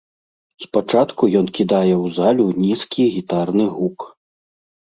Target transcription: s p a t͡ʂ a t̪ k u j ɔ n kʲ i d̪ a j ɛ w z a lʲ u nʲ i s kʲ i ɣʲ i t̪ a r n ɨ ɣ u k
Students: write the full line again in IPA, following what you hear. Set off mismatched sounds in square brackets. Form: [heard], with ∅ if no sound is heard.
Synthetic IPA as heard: s p a t͡ʂ a t̪ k u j ɔ n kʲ i d̪ a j ɛ w z a lʲ u nʲ i s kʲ i ɣʲ i t̪ a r n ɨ ɣ u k